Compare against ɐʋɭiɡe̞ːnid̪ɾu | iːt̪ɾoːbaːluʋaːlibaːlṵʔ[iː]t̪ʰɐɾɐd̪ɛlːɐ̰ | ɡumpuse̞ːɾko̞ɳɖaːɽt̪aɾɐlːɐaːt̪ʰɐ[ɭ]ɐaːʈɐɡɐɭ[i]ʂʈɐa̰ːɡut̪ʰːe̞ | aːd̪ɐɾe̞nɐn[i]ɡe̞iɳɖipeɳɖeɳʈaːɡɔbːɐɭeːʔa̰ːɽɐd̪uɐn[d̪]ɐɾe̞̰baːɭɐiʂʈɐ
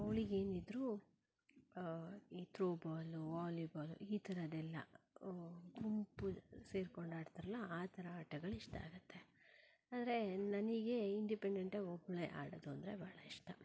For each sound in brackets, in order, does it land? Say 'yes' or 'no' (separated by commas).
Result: yes, no, yes, yes, yes